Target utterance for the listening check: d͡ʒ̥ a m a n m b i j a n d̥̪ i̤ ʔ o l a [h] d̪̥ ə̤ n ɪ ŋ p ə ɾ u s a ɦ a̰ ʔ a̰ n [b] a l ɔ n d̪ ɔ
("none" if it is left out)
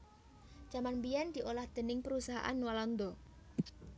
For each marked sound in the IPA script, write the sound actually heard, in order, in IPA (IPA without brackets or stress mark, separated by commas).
h, w